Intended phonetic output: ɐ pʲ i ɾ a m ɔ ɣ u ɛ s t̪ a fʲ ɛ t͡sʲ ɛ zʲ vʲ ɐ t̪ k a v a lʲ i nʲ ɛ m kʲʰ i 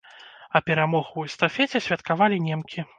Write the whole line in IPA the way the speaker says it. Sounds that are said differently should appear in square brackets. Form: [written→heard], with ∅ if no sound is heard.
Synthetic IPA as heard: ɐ pʲ [i→ɛ] ɾ a m ɔ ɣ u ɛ s t̪ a fʲ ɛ t͡sʲ ɛ [zʲ→sʲ] vʲ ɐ t̪ k a v a lʲ i nʲ ɛ m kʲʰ i

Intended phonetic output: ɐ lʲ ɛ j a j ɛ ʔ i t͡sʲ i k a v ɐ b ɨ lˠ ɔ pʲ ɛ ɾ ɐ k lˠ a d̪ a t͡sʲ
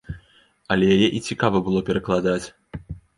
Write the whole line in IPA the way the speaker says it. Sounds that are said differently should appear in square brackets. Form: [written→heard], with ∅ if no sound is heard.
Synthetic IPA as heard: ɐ lʲ ɛ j a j ɛ ʔ i t͡sʲ i k a v ɐ b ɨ lˠ ɔ pʲ ɛ ɾ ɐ k lˠ a d̪ a t͡sʲ

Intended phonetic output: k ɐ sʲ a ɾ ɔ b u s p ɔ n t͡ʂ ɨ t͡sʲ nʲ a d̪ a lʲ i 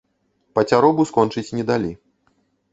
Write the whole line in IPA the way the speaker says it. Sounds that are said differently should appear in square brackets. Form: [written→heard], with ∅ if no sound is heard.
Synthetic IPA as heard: [k→p] ɐ [sʲ→t͡sʲ] a ɾ ɔ b u s [p→k] ɔ n t͡ʂ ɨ t͡sʲ nʲ [a→ɛ] d̪ a lʲ i

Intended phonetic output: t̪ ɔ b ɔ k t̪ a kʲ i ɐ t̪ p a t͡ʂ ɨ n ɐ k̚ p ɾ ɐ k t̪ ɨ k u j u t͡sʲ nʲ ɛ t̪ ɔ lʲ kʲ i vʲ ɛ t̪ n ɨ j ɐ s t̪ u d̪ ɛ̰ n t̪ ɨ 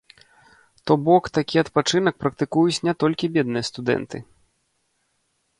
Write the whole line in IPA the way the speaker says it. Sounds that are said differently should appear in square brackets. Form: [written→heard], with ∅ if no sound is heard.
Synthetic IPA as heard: t̪ ɔ b ɔ k t̪ a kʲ i ɐ t̪ p a t͡ʂ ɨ n ɐ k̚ p ɾ ɐ k t̪ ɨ k u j u t͡sʲ nʲ ɛ t̪ ɔ lʲ kʲ i [vʲ→bʲ] ɛ [t̪→d̪] n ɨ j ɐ s t̪ u d̪ ɛ̰ n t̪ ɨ

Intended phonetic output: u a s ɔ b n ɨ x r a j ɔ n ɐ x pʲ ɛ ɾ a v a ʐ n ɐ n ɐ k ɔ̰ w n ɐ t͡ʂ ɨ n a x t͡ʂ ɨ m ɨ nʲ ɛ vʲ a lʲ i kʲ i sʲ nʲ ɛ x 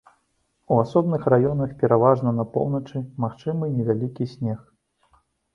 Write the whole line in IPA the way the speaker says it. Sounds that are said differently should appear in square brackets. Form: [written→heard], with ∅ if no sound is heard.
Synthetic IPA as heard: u a s ɔ b n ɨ x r a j ɔ n ɐ x pʲ ɛ ɾ a v a ʐ n ɐ n ɐ [k→p] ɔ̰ w n ɐ t͡ʂ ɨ [n→m] a x t͡ʂ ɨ m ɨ nʲ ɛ vʲ a lʲ i kʲ i sʲ nʲ ɛ x

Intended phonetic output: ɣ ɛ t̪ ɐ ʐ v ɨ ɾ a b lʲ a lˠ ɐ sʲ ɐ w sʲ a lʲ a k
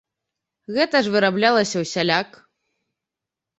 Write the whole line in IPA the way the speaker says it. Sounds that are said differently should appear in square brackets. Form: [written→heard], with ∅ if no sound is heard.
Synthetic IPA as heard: ɣ ɛ t̪ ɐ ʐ v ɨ ɾ a b lʲ a lˠ ɐ sʲ ɐ w sʲ a lʲ a k

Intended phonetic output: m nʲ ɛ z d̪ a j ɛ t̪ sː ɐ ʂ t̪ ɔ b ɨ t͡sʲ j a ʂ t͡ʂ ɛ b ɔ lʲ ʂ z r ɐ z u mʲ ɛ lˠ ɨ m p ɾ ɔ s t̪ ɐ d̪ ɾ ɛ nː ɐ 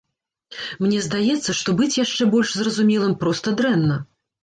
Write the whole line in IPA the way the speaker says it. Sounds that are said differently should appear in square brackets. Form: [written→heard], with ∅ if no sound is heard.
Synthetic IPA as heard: m nʲ ɛ z d̪ a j ɛ t̪ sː ɐ ʂ t̪ ɔ b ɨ t͡sʲ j a ʂ t͡ʂ ɛ b ɔ lʲ ʂ z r ɐ z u mʲ ɛ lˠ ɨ m p ɾ ɔ s t̪ ɐ d̪ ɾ ɛ nː ɐ

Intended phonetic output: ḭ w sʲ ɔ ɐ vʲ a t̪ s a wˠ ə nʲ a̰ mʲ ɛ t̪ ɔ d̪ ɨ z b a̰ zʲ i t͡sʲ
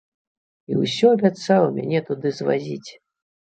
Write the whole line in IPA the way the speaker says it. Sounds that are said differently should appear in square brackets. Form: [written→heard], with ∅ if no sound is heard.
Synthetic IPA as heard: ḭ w sʲ ɔ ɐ [vʲ→bʲ] a t̪ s a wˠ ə [nʲ→mʲ] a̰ [mʲ→nʲ] ɛ t̪ [ɔ→u] d̪ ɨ z [b→v] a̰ zʲ i t͡sʲ

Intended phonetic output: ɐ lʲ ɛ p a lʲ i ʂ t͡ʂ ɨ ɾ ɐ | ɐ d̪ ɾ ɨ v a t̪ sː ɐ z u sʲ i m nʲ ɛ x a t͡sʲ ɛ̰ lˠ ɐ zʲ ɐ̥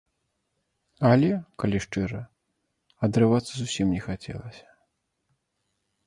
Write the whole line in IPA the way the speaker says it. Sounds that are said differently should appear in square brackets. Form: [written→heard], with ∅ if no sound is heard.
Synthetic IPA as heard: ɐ lʲ ɛ [p→k] a lʲ i ʂ t͡ʂ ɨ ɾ ɐ | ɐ d̪ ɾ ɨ v a t̪ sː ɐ z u sʲ i m nʲ ɛ x a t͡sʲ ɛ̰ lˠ ɐ [zʲ→sʲ] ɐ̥

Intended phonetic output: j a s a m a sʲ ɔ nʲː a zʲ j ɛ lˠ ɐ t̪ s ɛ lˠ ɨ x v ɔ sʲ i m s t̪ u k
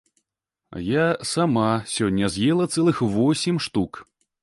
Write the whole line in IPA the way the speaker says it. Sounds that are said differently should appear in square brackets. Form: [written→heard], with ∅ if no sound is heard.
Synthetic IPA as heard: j a s a m a sʲ ɔ nʲː [a→ɐ] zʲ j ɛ lˠ ɐ t̪ s ɛ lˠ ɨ x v ɔ sʲ i m [s→ʂ] t̪ u k

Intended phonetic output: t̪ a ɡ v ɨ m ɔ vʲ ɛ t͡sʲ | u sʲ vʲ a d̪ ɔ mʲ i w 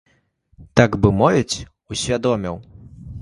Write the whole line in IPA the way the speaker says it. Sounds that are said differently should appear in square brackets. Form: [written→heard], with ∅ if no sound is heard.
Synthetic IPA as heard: t̪ a ɡ [v→b] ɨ m ɔ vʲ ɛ t͡sʲ | u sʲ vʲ a d̪ ɔ mʲ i w

